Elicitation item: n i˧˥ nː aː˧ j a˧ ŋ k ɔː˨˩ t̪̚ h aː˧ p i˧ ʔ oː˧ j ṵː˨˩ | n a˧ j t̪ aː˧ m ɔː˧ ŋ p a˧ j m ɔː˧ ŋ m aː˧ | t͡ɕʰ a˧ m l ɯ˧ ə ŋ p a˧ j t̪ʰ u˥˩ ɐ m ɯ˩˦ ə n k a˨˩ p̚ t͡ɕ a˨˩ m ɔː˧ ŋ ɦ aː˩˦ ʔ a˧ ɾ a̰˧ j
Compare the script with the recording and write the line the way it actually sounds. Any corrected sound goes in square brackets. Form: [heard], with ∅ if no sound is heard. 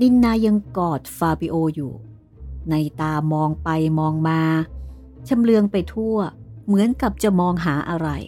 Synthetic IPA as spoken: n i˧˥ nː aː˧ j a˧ ŋ k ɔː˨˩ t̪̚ [f] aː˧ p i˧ ʔ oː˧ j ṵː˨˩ | n a˧ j t̪ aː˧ m ɔː˧ ŋ p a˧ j m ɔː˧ ŋ m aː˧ | t͡ɕʰ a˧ m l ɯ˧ ə ŋ p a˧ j t̪ʰ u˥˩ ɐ m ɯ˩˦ ə n k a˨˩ p̚ t͡ɕ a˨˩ m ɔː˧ ŋ ɦ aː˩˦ ʔ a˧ ɾ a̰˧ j